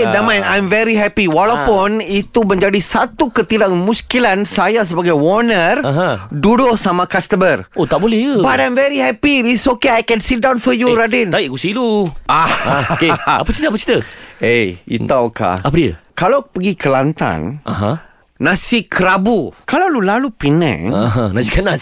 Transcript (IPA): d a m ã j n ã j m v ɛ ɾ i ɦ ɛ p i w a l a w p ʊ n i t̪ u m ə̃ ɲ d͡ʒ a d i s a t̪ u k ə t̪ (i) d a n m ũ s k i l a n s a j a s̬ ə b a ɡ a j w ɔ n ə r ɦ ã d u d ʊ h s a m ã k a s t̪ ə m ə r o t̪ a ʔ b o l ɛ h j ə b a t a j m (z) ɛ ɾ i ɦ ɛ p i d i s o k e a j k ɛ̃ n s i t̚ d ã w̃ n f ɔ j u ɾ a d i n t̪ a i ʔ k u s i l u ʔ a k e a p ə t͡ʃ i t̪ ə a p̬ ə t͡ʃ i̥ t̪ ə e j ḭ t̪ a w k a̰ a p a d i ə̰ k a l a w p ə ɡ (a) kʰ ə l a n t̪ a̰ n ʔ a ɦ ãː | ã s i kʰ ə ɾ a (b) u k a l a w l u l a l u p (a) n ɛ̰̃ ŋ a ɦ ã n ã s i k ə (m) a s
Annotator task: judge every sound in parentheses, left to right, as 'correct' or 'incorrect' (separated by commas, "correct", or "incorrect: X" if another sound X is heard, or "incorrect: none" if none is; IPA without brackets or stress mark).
correct, incorrect: v, incorrect: i, correct, incorrect: i, incorrect: n